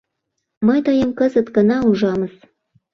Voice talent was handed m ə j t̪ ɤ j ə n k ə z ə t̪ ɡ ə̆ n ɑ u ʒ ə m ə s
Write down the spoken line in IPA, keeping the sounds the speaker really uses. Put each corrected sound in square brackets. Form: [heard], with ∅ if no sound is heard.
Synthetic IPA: m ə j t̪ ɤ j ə [m] k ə z ə t̪ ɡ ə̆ n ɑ u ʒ [ɑ] m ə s